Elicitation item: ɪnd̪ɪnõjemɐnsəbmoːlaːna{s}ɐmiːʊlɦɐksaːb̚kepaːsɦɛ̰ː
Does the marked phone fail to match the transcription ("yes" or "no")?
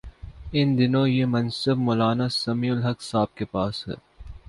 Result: no